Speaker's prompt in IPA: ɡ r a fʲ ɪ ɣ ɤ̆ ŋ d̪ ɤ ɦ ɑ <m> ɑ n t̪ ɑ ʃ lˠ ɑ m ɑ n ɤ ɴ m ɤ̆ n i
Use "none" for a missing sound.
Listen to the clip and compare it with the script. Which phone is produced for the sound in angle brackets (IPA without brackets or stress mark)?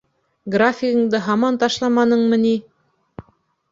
m